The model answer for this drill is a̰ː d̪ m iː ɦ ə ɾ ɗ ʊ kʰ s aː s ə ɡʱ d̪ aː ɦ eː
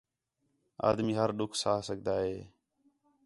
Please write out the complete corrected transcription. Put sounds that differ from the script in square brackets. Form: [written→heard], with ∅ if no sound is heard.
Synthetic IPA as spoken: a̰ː d̪ m iː ɦ ə ɾ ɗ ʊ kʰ s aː s ə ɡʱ d̪ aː ɦ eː